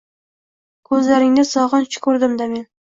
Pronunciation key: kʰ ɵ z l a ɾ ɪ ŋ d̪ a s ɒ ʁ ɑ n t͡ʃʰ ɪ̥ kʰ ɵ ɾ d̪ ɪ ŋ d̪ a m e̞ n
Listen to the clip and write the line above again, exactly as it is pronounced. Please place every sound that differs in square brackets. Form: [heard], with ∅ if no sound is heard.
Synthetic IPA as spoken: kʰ ɵ z l a ɾ ɪ ŋ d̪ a s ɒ ʁ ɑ n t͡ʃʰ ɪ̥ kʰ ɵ ɾ d̪ ɪ [m] d̪ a m e̞ n